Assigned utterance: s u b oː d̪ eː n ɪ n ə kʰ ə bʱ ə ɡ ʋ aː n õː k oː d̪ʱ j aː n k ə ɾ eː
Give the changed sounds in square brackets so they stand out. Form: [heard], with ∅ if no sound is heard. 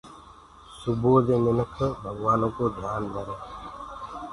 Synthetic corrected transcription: s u b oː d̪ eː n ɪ n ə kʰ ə bʱ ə ɡ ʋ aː n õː k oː d̪ʱ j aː n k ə ɾ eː